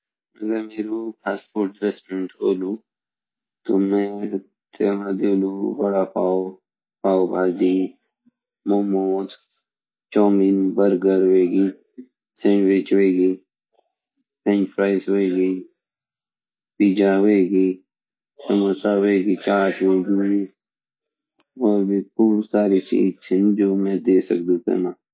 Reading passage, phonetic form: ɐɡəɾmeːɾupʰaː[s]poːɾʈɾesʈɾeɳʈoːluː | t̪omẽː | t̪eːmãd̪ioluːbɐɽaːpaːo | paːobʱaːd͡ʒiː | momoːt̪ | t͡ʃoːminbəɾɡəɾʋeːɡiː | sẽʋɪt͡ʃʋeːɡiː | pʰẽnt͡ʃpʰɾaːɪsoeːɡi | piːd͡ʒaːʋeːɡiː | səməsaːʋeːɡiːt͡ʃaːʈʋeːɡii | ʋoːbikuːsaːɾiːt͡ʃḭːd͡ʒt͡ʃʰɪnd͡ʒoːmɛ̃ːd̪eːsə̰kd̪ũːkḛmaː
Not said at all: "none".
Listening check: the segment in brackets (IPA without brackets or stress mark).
s